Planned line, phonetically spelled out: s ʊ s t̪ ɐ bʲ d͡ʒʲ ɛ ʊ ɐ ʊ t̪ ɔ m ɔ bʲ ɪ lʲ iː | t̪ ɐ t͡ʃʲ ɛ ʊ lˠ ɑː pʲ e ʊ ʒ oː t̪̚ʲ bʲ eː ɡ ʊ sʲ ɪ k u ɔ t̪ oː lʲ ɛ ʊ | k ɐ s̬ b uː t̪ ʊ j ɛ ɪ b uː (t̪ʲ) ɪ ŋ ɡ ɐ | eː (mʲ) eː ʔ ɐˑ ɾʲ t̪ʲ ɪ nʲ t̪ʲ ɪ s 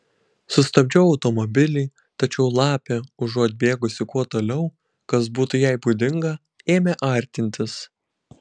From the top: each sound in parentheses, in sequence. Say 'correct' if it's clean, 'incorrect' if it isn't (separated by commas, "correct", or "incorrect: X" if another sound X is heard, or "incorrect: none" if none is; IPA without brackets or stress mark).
incorrect: d̪ʲ, correct